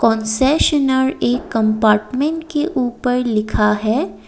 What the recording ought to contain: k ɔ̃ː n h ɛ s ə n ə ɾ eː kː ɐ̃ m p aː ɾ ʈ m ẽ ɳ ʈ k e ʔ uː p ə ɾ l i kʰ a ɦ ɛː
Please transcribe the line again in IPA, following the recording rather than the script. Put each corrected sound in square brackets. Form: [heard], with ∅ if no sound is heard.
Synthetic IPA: k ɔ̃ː n [s] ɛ [ʃ] ə n ə ɾ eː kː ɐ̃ m p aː ɾ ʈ m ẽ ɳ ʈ k e ʔ uː p ə ɾ l [ɪ] kʰ a ɦ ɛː